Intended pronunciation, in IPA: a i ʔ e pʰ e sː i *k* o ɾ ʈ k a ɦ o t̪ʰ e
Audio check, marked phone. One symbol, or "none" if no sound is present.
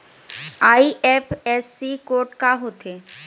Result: k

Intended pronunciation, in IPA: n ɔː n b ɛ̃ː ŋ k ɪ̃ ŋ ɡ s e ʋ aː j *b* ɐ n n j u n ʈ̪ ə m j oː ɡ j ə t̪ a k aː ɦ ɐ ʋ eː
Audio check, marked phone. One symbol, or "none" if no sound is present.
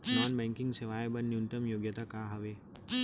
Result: b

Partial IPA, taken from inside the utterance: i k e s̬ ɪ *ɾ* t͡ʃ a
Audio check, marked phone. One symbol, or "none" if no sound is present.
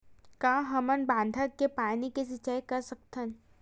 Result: none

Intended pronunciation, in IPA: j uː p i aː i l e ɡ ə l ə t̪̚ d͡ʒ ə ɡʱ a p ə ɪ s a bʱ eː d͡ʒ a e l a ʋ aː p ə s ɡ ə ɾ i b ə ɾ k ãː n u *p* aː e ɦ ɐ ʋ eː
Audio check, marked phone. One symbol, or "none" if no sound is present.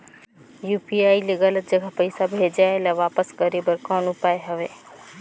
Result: p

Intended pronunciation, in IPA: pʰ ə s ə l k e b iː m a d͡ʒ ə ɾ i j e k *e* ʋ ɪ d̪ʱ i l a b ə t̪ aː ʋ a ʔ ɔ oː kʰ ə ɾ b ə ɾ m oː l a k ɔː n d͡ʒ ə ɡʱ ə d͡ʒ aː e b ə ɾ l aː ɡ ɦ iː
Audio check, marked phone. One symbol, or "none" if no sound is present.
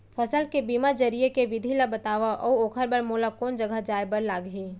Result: e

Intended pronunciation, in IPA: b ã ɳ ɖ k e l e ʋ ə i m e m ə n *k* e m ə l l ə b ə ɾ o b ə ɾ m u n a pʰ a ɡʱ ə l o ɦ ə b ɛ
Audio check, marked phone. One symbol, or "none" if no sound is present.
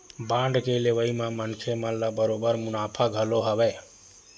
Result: kʰ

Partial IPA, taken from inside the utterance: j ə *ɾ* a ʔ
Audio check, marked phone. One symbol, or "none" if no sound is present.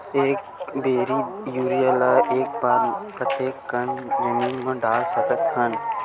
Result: l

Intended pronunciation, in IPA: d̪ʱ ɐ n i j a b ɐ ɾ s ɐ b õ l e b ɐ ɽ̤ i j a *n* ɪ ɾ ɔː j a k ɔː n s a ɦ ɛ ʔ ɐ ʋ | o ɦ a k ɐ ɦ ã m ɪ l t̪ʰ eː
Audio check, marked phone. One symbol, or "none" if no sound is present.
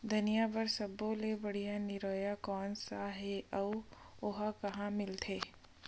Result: n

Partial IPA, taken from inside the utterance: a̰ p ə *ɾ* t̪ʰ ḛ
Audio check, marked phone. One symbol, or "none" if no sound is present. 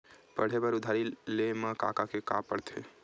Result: ɽ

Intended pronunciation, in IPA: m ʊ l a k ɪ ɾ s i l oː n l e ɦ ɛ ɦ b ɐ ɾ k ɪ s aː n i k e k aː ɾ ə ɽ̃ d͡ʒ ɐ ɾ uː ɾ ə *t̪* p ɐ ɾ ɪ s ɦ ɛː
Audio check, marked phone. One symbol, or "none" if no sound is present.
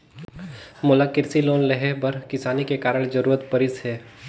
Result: t̪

